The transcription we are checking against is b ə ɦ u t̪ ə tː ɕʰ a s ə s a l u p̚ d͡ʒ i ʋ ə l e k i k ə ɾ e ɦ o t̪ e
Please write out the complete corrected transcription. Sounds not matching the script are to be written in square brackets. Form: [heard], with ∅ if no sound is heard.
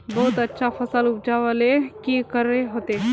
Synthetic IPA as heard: b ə ɦ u t̪ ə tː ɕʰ a [f] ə s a l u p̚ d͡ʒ [a] ʋ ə l e k i k ə ɾ e ɦ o t̪ e